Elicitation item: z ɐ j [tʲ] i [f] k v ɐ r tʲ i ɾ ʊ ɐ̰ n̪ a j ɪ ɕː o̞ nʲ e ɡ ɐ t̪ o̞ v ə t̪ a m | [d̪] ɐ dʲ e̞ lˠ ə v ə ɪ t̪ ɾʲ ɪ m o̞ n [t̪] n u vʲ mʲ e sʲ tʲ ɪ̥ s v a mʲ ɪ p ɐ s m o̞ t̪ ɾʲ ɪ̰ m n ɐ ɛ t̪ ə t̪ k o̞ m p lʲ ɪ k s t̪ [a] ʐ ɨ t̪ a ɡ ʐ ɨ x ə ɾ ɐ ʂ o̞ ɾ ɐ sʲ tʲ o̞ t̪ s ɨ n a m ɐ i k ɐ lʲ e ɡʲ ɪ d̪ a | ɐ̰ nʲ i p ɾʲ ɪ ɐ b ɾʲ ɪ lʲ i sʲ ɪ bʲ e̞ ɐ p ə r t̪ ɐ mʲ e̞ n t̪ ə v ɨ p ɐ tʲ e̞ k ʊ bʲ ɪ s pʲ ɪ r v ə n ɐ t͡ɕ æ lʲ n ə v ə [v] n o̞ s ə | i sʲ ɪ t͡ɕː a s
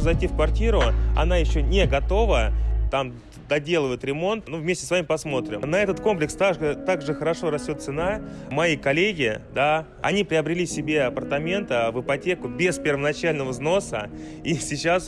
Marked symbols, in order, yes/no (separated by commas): yes, yes, yes, yes, yes, no